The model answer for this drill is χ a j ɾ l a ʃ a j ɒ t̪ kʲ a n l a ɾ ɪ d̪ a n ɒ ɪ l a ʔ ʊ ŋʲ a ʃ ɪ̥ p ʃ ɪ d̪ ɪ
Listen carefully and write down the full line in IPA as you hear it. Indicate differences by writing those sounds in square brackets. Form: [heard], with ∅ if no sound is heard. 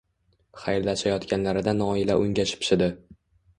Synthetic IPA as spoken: χ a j ɾ l a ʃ a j ɒ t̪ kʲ a n l a ɾ ɪ d̪ a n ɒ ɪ l a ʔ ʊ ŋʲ a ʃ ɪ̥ p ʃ ɪ d̪ ɪ